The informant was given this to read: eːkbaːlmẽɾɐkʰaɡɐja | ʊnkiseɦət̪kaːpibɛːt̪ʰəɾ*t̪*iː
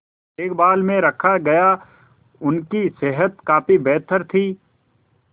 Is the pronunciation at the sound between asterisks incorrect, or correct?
incorrect